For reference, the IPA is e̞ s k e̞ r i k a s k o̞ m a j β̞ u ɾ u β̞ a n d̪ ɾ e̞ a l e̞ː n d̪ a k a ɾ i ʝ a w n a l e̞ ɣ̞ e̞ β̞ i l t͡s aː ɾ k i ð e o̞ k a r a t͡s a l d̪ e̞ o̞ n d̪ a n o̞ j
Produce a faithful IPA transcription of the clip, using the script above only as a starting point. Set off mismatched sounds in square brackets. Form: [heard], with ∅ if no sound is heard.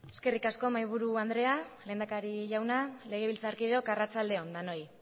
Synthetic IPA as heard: e̞ s k e̞ r i k a s k o̞ m a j β̞ u ɾ u [∅] a n d̪ ɾ e̞ a l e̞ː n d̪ a k a ɾ i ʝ a w n a l e̞ ɣ̞ e̞ β̞ i l t͡s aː ɾ k i ð e o̞ k a r a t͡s a l d̪ e̞ o̞ n d̪ a n o̞ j